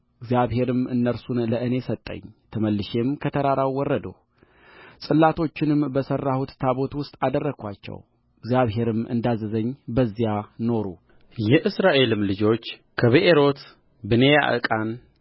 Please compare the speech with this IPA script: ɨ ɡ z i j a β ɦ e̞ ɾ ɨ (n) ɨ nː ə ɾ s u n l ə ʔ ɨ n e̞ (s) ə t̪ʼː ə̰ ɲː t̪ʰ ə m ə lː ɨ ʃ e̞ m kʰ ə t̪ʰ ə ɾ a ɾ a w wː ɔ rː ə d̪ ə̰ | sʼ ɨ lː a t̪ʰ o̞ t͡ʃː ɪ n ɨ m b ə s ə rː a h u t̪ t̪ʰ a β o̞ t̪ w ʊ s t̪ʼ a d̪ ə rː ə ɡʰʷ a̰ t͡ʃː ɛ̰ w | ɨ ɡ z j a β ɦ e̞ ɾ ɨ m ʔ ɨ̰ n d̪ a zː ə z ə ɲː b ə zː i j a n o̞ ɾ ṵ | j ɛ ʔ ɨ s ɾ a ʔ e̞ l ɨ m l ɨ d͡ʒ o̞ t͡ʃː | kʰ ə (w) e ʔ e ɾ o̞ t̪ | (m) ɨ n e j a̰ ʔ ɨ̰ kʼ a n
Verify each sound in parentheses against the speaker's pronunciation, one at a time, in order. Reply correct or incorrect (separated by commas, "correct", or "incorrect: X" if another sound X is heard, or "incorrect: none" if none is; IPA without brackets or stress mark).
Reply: incorrect: m, correct, incorrect: β, incorrect: b